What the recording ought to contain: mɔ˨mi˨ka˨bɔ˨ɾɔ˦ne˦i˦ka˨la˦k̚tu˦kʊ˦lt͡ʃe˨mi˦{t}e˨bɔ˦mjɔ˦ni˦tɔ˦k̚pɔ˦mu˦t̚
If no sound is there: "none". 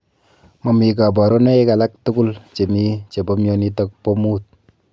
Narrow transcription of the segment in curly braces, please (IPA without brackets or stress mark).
t͡ʃ